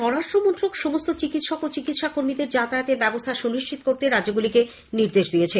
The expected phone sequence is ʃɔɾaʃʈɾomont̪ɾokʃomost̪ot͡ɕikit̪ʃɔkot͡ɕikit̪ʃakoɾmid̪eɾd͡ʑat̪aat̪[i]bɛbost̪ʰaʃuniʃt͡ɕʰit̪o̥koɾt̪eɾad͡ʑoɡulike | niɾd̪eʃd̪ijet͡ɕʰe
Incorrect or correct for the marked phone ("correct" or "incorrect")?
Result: incorrect